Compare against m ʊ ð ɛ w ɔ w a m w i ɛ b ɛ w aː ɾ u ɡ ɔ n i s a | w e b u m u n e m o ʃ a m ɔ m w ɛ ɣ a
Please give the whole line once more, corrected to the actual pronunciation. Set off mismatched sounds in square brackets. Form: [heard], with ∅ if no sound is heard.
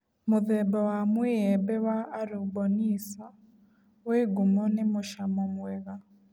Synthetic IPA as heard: m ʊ ð ɛ [b] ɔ w a m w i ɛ b ɛ w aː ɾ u [b] ɔ n i s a | w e [ɡ] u m [ɔ] n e m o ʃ a m ɔ m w ɛ ɣ a